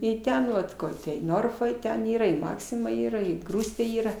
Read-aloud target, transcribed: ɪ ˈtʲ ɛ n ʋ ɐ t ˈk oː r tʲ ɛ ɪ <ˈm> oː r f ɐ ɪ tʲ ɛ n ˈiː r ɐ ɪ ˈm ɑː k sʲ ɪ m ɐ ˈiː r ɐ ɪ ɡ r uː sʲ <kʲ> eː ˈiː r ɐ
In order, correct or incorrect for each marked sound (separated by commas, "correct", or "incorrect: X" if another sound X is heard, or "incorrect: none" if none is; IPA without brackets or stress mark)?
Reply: incorrect: n, incorrect: tʲ